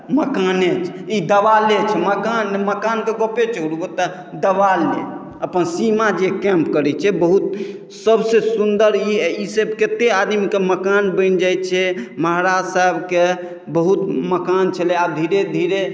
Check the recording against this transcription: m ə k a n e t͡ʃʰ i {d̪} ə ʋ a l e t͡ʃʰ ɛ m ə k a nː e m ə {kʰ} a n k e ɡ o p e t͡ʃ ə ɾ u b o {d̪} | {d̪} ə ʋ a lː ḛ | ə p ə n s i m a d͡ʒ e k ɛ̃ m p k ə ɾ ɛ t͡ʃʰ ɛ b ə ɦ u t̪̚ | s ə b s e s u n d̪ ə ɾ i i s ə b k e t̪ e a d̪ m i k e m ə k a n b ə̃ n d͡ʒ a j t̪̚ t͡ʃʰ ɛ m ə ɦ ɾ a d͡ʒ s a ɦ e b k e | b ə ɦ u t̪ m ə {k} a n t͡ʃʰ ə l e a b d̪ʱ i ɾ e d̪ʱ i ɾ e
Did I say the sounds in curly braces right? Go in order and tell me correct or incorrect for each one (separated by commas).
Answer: correct, incorrect, incorrect, correct, correct